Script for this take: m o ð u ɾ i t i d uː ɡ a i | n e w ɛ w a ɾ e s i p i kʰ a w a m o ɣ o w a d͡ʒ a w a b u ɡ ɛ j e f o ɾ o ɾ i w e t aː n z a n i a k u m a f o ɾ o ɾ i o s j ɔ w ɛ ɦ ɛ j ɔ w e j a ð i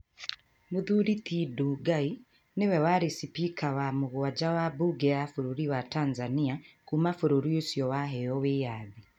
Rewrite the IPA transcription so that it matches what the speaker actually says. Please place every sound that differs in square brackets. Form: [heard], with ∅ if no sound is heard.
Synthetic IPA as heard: m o ð u ɾ i t i d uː ɡ a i | n e w ɛ w a ɾ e s i p i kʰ a w a m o ɣ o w a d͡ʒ a w a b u ɡ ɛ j [a] f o ɾ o ɾ i w [a] t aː n z a n i a k u m a f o ɾ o ɾ i o s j ɔ w [a] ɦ ɛ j ɔ w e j a ð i